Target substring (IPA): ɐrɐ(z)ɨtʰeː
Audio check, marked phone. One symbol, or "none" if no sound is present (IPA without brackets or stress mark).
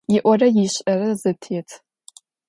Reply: z